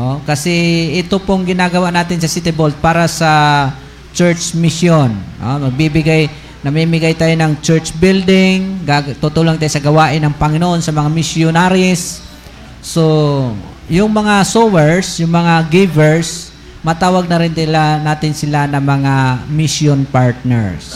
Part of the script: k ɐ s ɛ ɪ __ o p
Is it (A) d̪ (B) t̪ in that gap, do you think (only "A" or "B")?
B